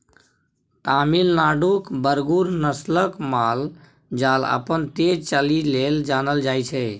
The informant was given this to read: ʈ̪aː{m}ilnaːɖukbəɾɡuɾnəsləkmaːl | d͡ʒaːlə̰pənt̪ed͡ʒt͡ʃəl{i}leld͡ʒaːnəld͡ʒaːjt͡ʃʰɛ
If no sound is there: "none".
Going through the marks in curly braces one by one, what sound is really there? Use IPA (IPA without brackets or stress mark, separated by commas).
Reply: m, i